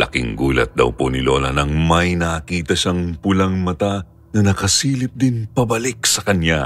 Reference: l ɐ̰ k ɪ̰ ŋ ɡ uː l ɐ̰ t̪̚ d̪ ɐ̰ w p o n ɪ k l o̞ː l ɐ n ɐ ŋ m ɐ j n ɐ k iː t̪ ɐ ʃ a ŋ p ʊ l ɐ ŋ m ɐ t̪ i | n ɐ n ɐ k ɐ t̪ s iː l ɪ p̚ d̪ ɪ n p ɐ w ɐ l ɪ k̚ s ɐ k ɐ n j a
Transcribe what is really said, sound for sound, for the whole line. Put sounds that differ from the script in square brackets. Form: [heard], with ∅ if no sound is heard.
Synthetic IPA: l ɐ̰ k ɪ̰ ŋ ɡ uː l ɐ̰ t̪̚ d̪ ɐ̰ w p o n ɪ [∅] l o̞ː l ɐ n ɐ ŋ m ɐ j n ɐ k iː t̪ ɐ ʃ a ŋ p ʊ l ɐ ŋ m ɐ t̪ [a] | n ɐ n ɐ k ɐ [∅] s iː l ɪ p̚ d̪ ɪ n p ɐ [b] ɐ l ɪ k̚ s ɐ k ɐ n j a